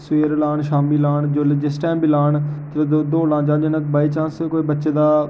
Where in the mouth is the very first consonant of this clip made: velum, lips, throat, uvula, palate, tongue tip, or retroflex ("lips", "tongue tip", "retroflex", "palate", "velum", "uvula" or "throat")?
tongue tip